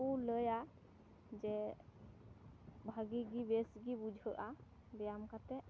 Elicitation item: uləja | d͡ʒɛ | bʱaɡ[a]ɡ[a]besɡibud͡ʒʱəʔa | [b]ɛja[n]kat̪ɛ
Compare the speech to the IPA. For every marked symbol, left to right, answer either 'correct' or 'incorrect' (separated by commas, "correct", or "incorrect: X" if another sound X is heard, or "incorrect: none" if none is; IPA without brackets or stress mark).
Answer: incorrect: i, incorrect: i, correct, incorrect: m